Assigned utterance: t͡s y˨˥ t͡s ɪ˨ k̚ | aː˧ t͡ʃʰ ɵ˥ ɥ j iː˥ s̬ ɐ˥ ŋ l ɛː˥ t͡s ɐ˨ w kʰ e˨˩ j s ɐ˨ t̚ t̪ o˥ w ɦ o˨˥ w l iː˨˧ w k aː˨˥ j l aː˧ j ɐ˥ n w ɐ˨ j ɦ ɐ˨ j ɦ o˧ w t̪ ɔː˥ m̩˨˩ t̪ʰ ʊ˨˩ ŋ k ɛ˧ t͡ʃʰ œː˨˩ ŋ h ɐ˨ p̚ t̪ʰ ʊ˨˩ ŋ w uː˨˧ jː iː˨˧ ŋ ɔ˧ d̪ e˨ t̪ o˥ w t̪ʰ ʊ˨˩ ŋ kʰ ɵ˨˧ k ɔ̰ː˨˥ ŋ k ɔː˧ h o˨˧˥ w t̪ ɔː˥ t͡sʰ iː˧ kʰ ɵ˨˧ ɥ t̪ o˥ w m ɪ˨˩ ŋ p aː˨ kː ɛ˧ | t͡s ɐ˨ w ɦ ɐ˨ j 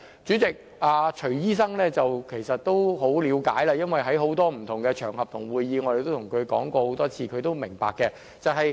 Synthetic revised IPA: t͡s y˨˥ t͡s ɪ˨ k̚ | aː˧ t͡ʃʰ ɵ˨˩ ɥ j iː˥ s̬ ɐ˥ ŋ l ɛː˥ t͡s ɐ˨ w kʰ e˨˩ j s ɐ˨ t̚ t̪ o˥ w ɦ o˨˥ w l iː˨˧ w k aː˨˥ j l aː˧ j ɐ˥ n w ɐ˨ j ɦ ɐ˨˥ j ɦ o˨˥ w t̪ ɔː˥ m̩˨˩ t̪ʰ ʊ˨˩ ŋ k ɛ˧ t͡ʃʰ œː˨˩ ŋ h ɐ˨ p̚ t̪ʰ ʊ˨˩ ŋ w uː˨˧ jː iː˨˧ ŋ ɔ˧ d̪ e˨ t̪ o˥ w t̪ʰ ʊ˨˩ ŋ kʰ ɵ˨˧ k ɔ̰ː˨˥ ŋ k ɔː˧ h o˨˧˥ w t̪ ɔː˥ t͡sʰ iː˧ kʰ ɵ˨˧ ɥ t̪ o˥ w m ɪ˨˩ ŋ p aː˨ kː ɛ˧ | t͡s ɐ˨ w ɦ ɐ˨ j